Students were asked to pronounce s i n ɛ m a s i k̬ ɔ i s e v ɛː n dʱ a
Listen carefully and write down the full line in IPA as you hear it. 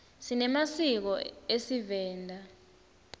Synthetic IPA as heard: s i n ɛ m a s i k̬ ɔ e s i v ɛː n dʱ a